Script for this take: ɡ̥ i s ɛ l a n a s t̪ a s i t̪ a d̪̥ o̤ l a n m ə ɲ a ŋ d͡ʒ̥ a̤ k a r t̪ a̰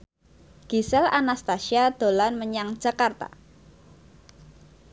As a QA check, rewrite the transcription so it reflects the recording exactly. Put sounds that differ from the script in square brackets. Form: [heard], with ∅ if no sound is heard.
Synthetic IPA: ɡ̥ i s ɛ l a n a s t̪ a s i [∅] a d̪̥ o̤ l a n m ə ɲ a ŋ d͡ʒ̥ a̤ k a r t̪ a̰